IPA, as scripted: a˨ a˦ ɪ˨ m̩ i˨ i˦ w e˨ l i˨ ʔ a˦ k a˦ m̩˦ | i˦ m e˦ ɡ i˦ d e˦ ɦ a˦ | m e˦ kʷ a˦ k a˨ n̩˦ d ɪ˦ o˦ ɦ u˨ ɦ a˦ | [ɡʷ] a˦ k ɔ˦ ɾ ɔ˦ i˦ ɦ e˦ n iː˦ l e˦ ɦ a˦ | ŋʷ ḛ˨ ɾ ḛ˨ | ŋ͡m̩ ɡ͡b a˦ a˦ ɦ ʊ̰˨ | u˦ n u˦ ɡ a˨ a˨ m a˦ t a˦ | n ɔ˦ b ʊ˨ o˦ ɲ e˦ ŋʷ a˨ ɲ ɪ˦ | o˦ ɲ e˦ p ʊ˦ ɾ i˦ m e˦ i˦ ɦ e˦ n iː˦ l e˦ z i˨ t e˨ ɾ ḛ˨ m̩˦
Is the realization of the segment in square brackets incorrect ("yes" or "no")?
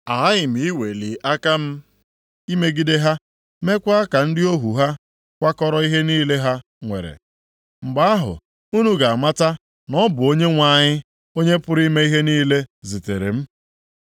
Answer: yes